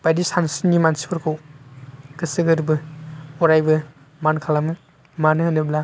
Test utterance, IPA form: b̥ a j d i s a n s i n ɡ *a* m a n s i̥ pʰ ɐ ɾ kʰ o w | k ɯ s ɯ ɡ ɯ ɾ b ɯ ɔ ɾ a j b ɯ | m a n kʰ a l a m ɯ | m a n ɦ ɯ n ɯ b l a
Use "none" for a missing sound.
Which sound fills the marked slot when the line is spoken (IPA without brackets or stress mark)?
i